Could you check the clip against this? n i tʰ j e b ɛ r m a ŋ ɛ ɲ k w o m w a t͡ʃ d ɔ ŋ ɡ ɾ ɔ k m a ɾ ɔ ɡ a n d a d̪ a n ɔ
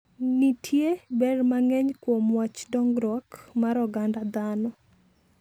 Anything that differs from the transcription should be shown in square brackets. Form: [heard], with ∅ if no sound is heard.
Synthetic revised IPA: n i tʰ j e b ɛ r m a ŋ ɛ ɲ k w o m w a t͡ʃ d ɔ ŋ ɡ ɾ ɔ k m a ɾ ɔ ɡ a n d a d̪ a n ɔ